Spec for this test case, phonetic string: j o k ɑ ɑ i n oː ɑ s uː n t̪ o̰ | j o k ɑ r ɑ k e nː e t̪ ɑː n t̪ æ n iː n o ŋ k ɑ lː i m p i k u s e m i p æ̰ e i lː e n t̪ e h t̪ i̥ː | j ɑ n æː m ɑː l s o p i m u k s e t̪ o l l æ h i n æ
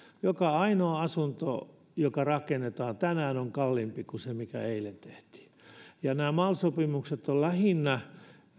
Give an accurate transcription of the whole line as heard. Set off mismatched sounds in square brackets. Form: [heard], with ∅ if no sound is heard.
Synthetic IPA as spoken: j o k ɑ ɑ i n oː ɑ s [u] n t̪ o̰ | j o k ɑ r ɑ k e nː e t̪ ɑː n t̪ æ n [æː] n o ŋ k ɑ lː i m p i k u s e m i [k] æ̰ e i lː e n t̪ e h t̪ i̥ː | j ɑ n æː m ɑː l s o p i m u k s e t̪ o l l æ h i [nː] æ